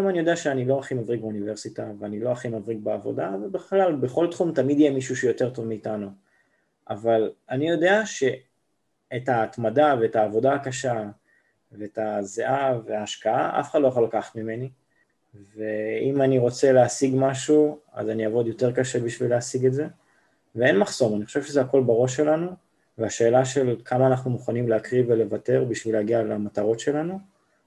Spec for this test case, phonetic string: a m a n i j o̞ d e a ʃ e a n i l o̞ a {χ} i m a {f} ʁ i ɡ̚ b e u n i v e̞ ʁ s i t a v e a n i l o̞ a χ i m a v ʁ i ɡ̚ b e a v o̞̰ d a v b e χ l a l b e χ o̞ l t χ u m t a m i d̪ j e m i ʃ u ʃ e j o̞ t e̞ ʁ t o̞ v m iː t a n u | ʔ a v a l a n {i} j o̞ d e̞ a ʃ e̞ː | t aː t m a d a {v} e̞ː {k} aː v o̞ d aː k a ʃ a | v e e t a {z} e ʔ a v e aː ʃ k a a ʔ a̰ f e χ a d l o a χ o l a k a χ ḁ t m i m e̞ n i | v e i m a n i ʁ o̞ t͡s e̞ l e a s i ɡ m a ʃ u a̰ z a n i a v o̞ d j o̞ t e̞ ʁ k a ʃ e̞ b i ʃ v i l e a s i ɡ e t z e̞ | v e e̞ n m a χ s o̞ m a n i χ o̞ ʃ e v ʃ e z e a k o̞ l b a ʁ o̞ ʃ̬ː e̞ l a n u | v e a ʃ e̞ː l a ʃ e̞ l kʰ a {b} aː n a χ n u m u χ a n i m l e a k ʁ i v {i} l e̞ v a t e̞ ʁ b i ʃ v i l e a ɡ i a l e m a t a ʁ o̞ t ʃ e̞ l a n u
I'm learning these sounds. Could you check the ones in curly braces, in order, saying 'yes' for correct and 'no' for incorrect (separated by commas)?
yes, no, yes, yes, no, yes, no, no